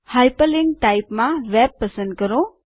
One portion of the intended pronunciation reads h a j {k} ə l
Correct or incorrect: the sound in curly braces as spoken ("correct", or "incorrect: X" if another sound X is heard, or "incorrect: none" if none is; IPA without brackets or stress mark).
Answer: incorrect: p